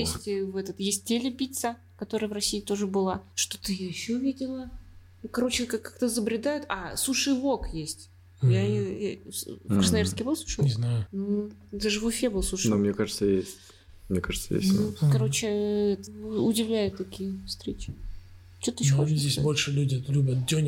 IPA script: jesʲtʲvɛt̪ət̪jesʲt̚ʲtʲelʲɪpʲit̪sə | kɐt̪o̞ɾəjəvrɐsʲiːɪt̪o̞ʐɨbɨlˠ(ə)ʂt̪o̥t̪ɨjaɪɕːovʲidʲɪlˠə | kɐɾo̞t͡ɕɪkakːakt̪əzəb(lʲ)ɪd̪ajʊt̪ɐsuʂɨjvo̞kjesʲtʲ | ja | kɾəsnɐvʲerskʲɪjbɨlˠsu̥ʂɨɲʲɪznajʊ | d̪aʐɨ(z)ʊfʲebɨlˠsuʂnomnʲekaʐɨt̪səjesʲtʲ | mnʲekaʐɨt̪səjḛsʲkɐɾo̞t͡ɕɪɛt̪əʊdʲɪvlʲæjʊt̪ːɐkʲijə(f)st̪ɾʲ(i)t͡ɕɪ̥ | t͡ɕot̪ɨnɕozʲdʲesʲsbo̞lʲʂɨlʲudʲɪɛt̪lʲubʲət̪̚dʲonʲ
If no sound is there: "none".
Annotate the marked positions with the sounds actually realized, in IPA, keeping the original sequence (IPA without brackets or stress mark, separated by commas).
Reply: a, ɾʲ, v, f, e